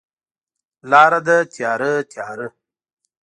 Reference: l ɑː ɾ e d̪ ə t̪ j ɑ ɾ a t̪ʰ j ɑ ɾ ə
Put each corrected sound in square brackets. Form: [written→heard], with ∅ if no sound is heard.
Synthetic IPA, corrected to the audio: l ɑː ɾ [e→a] d̪ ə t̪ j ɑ ɾ [a→ə] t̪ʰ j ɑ ɾ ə